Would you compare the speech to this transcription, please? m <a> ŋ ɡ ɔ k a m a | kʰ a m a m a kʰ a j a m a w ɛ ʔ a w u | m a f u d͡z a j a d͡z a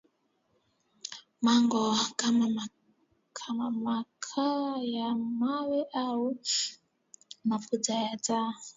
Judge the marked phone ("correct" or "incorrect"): correct